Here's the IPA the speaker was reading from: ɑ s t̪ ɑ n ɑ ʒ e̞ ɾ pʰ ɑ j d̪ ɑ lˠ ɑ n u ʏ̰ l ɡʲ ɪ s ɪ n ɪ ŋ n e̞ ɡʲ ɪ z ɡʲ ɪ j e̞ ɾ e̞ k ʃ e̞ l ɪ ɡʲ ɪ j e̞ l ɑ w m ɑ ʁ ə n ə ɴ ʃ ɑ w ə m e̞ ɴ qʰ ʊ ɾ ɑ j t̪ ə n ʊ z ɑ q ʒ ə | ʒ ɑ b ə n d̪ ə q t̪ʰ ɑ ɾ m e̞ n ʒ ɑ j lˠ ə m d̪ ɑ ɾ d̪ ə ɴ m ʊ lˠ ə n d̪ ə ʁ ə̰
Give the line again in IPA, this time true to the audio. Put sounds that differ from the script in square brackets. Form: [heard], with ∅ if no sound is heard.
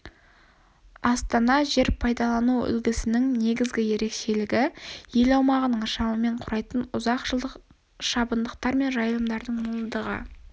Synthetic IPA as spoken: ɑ s t̪ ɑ n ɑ ʒ e̞ ɾ pʰ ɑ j d̪ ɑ lˠ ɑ n u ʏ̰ l ɡʲ ɪ s ɪ n ɪ ŋ n e̞ ɡʲ ɪ z ɡʲ ɪ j e̞ ɾ e̞ k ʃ e̞ l ɪ ɡʲ ɪ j e̞ l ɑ w m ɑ ʁ ə n ə ɴ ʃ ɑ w ə m e̞ ɴ qʰ ʊ ɾ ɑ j t̪ ə n ʊ z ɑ q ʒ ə | [ʃ] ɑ b ə n d̪ ə q [t̪] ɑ ɾ m e̞ n ʒ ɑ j lˠ ə m d̪ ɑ ɾ d̪ ə ɴ m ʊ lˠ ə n d̪ ə ʁ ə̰